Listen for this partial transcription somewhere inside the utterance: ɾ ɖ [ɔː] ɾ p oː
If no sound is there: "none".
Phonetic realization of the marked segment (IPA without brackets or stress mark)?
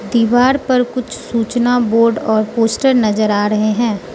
ɔː